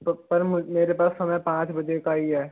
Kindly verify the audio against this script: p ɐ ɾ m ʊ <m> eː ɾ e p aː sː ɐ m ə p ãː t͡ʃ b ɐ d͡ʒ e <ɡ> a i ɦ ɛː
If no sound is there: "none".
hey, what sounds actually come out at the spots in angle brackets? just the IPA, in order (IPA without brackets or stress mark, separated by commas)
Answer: m, k